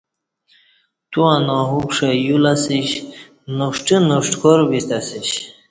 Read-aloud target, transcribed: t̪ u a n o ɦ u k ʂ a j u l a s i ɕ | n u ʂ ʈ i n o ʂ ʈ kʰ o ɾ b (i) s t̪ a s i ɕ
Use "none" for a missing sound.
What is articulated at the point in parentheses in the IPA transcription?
i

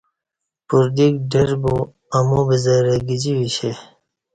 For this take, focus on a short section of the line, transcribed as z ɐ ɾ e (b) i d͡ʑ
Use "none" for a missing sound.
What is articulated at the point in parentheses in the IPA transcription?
ɡ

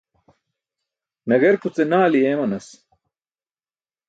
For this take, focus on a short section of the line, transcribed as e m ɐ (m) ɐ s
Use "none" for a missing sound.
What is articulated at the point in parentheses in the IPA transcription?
n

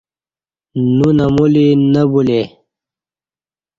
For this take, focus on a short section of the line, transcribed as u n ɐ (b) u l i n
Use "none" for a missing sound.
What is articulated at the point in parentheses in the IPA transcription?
m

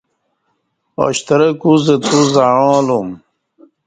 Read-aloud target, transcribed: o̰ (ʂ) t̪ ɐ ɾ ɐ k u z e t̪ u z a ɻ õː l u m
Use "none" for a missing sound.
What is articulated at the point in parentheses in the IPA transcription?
ɕ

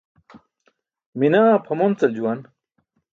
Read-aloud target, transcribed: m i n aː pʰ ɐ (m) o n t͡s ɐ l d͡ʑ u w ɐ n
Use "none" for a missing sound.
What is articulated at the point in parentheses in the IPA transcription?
m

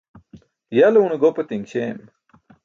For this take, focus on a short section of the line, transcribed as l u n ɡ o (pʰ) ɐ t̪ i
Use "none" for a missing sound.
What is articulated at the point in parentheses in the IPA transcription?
p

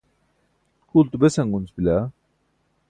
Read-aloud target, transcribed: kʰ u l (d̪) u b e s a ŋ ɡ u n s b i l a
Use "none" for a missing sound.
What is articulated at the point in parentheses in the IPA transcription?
t̪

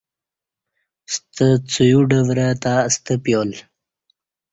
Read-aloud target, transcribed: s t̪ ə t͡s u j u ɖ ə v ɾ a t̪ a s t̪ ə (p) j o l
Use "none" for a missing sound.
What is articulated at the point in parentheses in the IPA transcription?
p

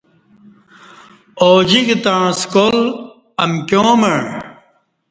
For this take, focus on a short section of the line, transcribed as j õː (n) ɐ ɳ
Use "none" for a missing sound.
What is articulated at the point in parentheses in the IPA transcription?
m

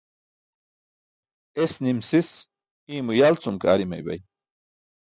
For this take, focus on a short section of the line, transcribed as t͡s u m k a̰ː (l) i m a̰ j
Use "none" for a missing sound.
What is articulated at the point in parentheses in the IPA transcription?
ɾ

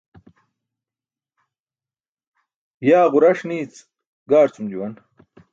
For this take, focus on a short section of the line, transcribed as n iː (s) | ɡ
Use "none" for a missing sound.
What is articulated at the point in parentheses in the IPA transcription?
t͡s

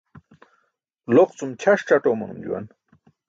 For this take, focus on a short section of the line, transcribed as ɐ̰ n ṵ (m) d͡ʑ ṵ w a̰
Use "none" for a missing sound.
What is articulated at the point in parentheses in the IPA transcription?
m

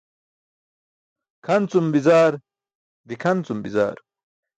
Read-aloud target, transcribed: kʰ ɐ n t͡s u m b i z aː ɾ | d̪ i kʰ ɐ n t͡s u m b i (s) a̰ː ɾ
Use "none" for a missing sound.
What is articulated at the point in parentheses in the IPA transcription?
z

